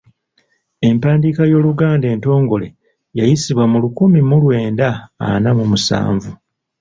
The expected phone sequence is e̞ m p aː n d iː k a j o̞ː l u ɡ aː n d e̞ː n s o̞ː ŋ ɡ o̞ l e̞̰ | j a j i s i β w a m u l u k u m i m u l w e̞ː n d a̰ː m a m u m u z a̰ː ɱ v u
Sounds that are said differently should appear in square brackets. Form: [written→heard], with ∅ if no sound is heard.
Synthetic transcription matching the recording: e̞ m p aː n d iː k a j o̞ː l u ɡ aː n d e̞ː n [s→t] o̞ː ŋ ɡ o̞ l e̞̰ | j a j i s i β w a m u l u k u m i m u l w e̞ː n d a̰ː [m→n] a m u m u [z→s] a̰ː ɱ v u